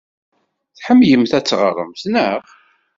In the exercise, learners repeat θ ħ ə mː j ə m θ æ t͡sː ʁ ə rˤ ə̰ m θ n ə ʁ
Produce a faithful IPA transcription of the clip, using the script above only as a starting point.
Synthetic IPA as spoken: θ ħ ə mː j ə m θ æ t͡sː ʁ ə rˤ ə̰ m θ n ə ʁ